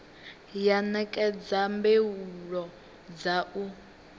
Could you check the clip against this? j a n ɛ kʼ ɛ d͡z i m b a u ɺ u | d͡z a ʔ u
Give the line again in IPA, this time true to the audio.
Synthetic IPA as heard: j a n ɛ kʼ ɛ d͡z a m b e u ɺ ɔ | d͡z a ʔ u